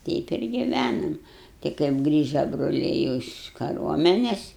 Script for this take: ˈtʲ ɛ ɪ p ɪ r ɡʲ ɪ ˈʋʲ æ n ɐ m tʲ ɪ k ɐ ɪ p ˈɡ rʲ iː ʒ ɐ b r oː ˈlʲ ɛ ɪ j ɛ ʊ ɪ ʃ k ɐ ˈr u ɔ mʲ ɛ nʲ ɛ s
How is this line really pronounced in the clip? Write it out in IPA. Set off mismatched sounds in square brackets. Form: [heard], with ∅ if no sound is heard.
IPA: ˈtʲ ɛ ɪ p ɪ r ɡʲ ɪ ˈʋʲ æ n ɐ m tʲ ɪ k ɐ ɪ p ˈɡ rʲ iː ʒ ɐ b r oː ˈlʲ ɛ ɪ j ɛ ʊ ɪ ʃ k ɐ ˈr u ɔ mʲ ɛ nʲ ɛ s